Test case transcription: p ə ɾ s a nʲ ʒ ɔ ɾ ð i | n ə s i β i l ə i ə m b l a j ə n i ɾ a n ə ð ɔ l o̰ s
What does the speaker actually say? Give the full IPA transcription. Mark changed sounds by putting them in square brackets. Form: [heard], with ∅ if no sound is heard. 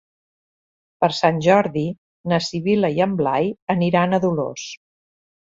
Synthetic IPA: p ə ɾ s a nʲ ʒ ɔ ɾ ð i | n ə s i β i l ə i ə m b l a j ə n i ɾ a n ə ð [u] l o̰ s

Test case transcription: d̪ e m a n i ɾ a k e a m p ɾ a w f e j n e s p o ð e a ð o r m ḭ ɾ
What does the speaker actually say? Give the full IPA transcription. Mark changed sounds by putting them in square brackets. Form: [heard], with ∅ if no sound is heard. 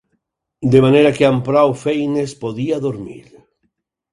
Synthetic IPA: d̪ e m a n [e] ɾ a k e a m p ɾ a w f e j n e s p o ð [i] a ð o [ɾ] m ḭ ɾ

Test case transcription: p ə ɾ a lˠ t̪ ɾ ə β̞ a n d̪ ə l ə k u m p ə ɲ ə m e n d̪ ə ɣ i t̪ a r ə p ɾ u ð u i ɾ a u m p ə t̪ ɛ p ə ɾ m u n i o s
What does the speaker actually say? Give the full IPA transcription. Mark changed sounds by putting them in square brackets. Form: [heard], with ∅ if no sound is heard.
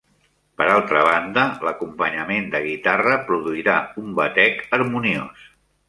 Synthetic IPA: p ə ɾ a lˠ t̪ ɾ ə β̞ a n d̪ ə l ə k u m p ə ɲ ə m e n d̪ ə ɣ i t̪ a r ə p ɾ u ð u i ɾ a u m [b] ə t̪ ɛ [k] ə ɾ m u n i o s

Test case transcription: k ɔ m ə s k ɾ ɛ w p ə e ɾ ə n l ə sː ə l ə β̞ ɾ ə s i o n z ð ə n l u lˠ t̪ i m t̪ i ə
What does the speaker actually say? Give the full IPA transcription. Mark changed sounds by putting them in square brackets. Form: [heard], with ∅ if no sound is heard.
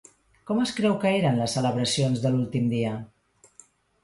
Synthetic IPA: k ɔ m ə s k ɾ ɛ w [k] ə e ɾ ə n l ə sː ə l ə β̞ ɾ ə s i o n z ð ə [∅] l u lˠ t̪ i m [d̪] i ə

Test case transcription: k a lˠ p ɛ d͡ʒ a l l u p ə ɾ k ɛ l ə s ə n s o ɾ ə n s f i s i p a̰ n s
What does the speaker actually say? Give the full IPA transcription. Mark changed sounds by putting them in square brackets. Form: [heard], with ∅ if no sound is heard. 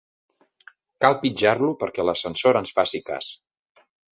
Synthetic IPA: k a lˠ p [i] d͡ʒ a [r] l u p ə ɾ k ɛ l ə s ə n s o ɾ ə n s f [a] s i [k] a̰ [∅] s

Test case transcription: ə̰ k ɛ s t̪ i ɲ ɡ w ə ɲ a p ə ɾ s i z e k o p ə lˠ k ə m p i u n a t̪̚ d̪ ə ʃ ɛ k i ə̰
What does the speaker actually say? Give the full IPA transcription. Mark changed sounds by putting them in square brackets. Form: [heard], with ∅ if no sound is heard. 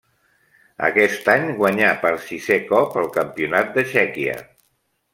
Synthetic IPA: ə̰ k ɛ s t̪ [a] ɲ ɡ w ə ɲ a p ə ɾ s i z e k [ɔ] p ə lˠ k ə m p i u n a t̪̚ d̪ ə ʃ ɛ k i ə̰

